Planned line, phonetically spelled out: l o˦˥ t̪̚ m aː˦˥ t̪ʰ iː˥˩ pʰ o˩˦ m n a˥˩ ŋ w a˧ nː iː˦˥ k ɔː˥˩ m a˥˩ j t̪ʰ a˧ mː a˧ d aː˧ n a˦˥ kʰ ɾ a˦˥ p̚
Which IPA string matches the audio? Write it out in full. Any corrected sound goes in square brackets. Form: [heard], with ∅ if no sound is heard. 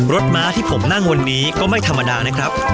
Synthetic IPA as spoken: [ɾ] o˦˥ t̪̚ m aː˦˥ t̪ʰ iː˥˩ pʰ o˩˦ m n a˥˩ ŋ w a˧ nː iː˦˥ k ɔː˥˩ m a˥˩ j t̪ʰ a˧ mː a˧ d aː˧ n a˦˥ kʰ ɾ a˦˥ p̚